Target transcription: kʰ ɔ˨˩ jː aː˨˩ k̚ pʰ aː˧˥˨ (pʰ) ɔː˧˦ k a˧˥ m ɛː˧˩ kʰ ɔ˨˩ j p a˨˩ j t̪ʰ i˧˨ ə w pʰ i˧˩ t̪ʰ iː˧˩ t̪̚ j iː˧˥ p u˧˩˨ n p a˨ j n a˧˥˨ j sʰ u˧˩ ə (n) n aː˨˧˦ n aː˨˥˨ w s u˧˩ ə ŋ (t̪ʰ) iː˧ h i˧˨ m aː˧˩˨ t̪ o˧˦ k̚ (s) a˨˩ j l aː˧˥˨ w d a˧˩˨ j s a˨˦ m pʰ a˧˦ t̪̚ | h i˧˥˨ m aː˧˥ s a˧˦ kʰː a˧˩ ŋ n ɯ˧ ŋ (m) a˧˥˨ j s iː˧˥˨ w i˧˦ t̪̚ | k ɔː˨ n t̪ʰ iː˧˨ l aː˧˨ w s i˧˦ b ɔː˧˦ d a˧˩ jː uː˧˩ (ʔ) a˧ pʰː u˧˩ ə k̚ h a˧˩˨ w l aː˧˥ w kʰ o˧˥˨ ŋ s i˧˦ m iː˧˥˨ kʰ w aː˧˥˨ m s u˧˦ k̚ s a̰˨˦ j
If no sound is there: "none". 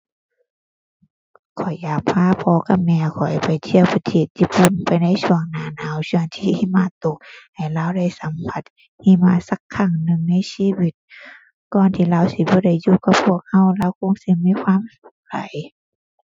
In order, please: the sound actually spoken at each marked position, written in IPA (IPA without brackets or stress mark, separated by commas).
pʰ, ŋ, t̪ʰ, h, n, k